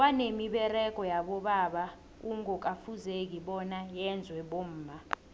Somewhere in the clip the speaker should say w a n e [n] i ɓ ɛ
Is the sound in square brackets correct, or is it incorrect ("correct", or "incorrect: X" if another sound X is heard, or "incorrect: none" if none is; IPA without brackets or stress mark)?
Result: incorrect: m